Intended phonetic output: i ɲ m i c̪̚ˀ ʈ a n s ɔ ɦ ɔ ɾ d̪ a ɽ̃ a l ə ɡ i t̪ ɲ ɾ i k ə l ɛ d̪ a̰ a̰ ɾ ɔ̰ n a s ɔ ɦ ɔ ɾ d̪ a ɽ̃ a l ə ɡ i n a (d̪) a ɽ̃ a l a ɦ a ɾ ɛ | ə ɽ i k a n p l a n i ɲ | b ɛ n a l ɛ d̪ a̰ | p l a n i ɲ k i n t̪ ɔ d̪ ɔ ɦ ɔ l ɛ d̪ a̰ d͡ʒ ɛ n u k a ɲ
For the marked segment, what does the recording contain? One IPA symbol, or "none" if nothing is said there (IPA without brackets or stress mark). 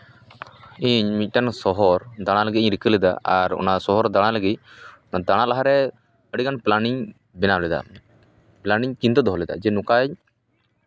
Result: d̪